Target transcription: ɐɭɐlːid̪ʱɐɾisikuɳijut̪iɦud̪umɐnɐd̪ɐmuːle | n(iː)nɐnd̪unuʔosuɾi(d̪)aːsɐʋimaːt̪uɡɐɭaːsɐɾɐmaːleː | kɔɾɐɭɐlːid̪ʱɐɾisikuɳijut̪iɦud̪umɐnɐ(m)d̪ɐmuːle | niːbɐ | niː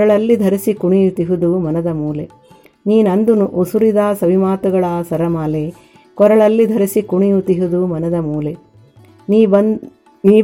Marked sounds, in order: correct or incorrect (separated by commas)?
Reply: correct, correct, incorrect